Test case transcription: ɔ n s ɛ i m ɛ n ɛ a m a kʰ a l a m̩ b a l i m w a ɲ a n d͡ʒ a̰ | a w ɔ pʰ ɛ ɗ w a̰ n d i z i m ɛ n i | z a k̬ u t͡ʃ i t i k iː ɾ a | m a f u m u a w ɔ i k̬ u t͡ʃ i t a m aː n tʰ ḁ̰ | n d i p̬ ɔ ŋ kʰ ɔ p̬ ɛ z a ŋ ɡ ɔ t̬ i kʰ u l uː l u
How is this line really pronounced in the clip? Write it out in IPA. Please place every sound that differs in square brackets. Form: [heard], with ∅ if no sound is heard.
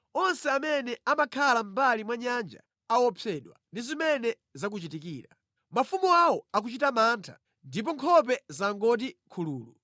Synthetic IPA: ɔ n s ɛ [a] m ɛ n ɛ a m a kʰ a l a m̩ b a l i m w a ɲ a n d͡ʒ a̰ | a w ɔ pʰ ɛ ɗ w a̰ n d i z i m ɛ n [ɛ] | z a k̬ u t͡ʃ i t i k iː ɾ a | m a f u m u a w ɔ [a] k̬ u t͡ʃ i t a m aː n tʰ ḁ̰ | n d i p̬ ɔ ŋ kʰ ɔ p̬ ɛ z a ŋ ɡ ɔ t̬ i kʰ u l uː l u

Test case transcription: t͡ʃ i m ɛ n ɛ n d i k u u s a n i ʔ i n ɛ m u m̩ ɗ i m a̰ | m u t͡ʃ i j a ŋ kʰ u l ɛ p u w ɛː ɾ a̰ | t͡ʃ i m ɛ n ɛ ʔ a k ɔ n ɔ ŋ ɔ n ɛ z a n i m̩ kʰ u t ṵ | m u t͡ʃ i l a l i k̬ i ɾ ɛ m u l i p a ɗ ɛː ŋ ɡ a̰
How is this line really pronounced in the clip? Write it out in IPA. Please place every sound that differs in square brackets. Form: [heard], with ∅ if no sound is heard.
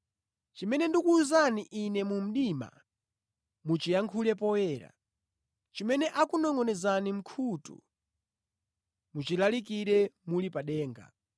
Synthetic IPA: t͡ʃ i m ɛ n ɛ n d i k u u [z] a n i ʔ i n ɛ m u m̩ ɗ i m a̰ | m u t͡ʃ i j a ŋ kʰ u l ɛ p [ɔ] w ɛː ɾ a̰ | t͡ʃ i m ɛ n ɛ ʔ a k [u] n ɔ ŋ ɔ n ɛ z a n i m̩ kʰ u t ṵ | m u t͡ʃ i l a l i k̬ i ɾ ɛ m u l i p a ɗ ɛː ŋ ɡ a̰

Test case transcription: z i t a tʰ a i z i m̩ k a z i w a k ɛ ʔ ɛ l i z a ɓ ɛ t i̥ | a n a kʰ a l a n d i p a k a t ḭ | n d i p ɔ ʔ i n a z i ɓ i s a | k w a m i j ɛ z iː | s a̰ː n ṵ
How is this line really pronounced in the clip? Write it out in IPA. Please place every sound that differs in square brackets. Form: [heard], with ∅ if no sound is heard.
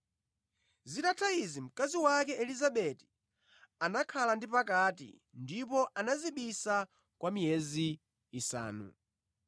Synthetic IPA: z i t a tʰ a i z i m̩ k a z i w a k ɛ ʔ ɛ l i z a ɓ ɛ t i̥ | a n a kʰ a l a n d i p a k a t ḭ | n d i p ɔ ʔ [a] n a z i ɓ i s a | k w a m i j ɛ z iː | s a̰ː n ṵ

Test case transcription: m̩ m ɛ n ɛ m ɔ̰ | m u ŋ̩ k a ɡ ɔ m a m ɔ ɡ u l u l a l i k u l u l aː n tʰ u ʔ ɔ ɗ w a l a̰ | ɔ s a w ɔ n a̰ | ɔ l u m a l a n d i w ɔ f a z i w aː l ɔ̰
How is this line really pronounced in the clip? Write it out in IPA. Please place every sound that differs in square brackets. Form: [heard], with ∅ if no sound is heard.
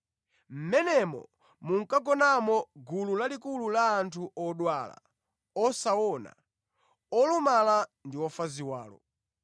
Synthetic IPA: m̩ m ɛ n ɛ m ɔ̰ | m u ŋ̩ k a ɡ ɔ [n] a m ɔ ɡ u l u l a l i k u l u l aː n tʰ u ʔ ɔ ɗ w a l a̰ | ɔ s a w ɔ n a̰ | ɔ l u m a l a n d i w ɔ f a z i w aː l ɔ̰

